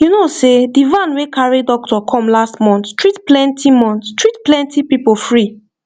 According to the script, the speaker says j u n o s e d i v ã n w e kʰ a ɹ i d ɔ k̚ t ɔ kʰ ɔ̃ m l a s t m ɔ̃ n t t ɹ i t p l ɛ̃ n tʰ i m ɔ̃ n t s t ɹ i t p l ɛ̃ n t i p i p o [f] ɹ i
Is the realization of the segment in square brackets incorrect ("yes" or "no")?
no